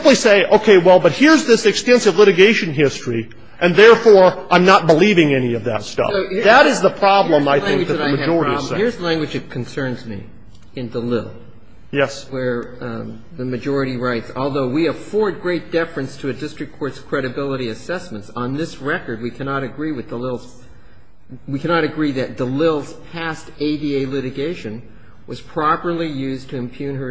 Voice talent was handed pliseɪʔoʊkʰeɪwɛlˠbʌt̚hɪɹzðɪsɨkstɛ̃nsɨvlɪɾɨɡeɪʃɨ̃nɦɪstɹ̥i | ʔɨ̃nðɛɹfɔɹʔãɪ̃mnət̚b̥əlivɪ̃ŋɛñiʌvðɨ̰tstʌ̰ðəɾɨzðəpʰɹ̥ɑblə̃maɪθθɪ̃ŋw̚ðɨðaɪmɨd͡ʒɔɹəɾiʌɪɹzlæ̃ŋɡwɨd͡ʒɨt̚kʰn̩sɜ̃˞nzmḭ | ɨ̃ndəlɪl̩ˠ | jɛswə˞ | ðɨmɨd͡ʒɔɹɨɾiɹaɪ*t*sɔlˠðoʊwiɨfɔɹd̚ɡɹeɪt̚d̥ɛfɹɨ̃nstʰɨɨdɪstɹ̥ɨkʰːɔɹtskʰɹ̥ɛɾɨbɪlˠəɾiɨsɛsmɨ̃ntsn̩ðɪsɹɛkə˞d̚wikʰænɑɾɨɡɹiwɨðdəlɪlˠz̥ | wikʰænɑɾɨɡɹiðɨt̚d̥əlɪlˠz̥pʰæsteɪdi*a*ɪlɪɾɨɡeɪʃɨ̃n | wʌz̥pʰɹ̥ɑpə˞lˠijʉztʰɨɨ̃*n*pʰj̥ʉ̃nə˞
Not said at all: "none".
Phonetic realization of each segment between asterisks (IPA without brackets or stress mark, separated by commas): t, e, m